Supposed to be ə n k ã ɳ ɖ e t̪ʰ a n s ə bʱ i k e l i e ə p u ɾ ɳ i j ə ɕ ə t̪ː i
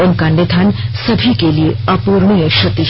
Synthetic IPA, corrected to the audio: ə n k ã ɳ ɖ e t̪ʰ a n s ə bʱ i k e l i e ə p u ɾ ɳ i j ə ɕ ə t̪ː i